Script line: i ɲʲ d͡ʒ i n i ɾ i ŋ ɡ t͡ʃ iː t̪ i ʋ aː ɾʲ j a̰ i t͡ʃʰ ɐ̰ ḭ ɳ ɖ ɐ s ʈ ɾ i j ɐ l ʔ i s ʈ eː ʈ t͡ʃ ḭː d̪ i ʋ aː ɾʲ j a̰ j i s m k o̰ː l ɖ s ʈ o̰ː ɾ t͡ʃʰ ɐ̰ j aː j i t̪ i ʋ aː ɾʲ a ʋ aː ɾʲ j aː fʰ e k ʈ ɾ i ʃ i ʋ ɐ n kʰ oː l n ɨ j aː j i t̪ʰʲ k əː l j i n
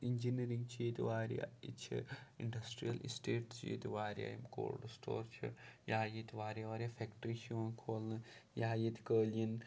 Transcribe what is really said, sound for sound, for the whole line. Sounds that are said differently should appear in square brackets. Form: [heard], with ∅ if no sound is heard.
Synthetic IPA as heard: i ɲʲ d͡ʒ i n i ɾ i ŋ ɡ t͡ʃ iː t̪ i ʋ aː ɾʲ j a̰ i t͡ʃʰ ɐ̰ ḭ ɳ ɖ ɐ s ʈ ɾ i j ɐ l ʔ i s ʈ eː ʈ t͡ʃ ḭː [t̪] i ʋ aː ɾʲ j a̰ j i [∅] m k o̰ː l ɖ s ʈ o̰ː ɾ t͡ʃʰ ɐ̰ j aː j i t̪ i ʋ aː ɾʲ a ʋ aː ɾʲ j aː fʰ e k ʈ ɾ i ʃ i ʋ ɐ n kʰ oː l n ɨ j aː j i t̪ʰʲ k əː l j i n